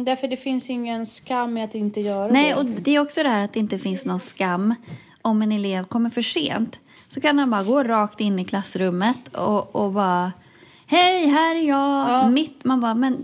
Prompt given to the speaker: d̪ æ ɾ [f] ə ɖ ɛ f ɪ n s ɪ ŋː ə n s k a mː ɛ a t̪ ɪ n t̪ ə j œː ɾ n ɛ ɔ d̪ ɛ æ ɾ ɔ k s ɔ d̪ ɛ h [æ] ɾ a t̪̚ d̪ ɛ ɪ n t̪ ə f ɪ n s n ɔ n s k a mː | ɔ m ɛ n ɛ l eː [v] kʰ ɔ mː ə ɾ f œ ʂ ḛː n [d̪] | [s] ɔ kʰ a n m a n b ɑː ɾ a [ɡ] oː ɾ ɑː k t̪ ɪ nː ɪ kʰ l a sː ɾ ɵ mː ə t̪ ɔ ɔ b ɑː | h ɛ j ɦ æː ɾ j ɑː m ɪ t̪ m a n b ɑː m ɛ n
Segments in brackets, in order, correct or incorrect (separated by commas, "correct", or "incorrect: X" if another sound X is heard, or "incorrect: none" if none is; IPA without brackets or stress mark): correct, incorrect: æː, correct, incorrect: t̪, correct, correct